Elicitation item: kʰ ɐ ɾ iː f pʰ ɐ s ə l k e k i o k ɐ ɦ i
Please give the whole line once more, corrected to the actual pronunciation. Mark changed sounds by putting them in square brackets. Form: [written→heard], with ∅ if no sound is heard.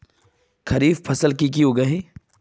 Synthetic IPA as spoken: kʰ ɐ ɾ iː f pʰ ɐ s ə l k [e→i] k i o [k→ɡ] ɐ ɦ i

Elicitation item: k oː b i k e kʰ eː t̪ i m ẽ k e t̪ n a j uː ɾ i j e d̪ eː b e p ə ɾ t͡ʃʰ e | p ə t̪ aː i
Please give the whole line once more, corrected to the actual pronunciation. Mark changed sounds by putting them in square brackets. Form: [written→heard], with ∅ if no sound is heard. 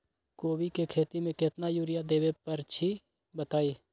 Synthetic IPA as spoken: k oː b i k e kʰ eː t̪ i m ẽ k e t̪ n a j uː ɾ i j [e→a] d̪ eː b e p ə ɾ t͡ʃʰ [e→i] | [p→b] ə t̪ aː i

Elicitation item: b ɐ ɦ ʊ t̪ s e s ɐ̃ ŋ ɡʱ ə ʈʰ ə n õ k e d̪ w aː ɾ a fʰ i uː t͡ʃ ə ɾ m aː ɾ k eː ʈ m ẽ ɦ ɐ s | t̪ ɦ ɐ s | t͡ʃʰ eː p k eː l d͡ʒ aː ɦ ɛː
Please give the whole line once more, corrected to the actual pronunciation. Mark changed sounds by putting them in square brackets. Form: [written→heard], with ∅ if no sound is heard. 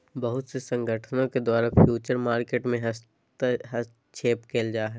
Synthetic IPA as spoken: b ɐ ɦ ʊ t̪ s e s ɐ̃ ŋ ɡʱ ə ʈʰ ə n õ k e d̪ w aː ɾ a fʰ [i→j] uː t͡ʃ ə ɾ m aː ɾ k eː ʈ m ẽ ɦ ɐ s | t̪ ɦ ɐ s | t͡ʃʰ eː p k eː l d͡ʒ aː ɦ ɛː

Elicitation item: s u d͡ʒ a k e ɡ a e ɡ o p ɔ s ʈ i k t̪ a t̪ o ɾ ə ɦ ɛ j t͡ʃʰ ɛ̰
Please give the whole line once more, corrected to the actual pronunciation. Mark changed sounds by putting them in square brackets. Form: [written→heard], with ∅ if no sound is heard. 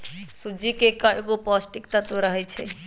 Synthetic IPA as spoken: s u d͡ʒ [a→i] k e [ɡ→k] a e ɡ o p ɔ s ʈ i k t̪ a t̪ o ɾ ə ɦ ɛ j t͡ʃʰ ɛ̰

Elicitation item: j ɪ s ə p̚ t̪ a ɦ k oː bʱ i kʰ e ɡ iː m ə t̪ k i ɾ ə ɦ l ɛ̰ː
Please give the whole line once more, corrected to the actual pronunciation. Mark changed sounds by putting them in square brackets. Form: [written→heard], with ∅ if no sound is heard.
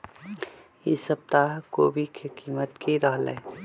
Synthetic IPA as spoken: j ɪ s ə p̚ t̪ a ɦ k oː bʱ i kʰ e [ɡ→k] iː m ə t̪ k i ɾ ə ɦ l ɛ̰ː

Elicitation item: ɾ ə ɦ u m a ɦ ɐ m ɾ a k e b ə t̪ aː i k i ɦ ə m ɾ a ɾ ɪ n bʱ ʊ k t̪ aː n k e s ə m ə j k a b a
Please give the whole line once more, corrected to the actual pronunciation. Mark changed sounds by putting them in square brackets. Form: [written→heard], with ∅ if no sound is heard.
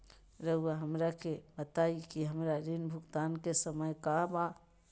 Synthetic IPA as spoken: ɾ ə ɦ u [m→∅] a ɦ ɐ m ɾ a k e b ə t̪ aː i k i ɦ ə m ɾ a ɾ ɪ n bʱ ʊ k t̪ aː n k e s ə m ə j k a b a

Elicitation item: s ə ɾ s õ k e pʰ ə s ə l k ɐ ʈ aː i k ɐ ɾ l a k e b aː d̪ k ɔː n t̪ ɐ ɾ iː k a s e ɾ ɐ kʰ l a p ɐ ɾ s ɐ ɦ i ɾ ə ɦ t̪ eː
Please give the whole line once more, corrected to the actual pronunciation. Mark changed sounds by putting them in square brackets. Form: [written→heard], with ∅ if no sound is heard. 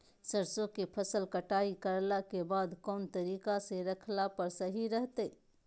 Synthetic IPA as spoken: s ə ɾ s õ k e pʰ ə s ə l k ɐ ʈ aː i k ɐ ɾ l a k e b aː d̪ k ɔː n t̪ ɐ ɾ iː k a s e ɾ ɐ kʰ l a p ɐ ɾ s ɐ ɦ i ɾ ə ɦ t̪ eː

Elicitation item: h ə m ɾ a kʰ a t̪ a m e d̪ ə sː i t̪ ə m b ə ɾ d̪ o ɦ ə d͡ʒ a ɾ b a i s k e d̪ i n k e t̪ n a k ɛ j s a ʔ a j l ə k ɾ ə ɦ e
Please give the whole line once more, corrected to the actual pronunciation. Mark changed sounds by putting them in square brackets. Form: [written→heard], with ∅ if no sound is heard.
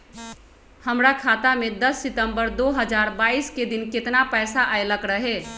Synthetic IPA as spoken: h ə m ɾ a kʰ a t̪ a m e d̪ ə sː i t̪ ə m b ə ɾ d̪ o ɦ ə d͡ʒ a ɾ b a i s k e d̪ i n k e t̪ n a [k→p] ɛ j s a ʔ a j l ə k ɾ ə ɦ e

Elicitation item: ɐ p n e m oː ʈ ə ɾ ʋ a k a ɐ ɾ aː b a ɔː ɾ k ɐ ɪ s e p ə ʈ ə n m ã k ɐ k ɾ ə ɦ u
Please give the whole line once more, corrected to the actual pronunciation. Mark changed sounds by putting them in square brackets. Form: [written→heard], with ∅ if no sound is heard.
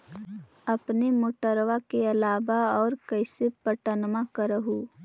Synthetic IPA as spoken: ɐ p n e m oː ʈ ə ɾ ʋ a k [a→e] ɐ [ɾ→l] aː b a ɔː ɾ k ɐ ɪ s e p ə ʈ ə n m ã k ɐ [k→∅] ɾ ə ɦ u

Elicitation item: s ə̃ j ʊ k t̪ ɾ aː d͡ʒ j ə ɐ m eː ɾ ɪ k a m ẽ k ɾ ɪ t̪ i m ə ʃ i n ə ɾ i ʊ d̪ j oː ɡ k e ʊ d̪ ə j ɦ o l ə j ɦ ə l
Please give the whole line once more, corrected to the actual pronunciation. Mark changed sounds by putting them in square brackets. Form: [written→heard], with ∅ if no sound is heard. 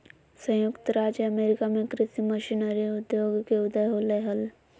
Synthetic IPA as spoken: s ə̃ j ʊ k t̪ ɾ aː d͡ʒ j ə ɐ m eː ɾ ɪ k a m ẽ k ɾ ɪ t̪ i m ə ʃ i n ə ɾ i ʊ d̪ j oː ɡ k e ʊ d̪ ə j ɦ o l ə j ɦ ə l

